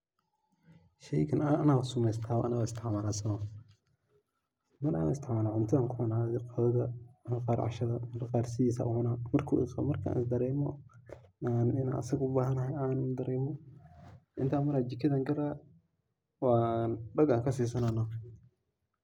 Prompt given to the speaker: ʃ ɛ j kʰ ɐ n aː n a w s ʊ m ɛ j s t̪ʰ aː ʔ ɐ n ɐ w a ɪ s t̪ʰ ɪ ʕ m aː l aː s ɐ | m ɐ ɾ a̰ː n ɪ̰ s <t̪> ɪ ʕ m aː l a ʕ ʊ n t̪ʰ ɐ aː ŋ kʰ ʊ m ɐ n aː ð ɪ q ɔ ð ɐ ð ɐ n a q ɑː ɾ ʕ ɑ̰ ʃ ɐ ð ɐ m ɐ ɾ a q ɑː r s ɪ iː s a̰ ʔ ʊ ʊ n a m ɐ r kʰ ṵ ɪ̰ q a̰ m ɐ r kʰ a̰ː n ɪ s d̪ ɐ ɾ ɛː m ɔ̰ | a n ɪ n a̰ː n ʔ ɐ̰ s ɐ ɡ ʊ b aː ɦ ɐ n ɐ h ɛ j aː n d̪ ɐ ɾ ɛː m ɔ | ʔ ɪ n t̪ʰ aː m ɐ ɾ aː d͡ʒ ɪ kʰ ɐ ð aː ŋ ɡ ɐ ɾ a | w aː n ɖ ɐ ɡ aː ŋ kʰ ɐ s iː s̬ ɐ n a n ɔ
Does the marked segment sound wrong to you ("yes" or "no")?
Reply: no